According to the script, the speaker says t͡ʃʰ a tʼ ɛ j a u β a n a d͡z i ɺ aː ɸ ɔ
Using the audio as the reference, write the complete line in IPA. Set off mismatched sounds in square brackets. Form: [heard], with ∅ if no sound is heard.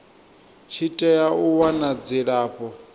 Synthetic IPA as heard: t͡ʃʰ [i] tʼ ɛ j a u [w] a n a d͡z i ɺ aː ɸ ɔ